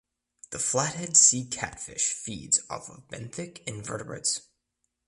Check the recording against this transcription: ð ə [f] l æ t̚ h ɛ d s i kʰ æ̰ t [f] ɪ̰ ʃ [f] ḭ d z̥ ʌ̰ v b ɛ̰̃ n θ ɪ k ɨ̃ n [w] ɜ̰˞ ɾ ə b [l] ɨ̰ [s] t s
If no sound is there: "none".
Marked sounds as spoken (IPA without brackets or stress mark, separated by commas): f, f, f, v, ɹ, none